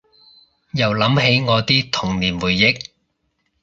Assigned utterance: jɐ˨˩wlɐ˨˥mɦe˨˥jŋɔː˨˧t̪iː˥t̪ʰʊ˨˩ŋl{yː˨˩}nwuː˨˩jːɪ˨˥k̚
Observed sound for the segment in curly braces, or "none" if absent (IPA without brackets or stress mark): iː˨˩